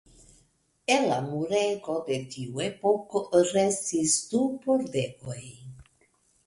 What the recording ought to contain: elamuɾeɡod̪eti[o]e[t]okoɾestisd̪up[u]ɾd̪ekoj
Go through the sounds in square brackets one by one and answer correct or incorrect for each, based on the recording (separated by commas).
incorrect, incorrect, incorrect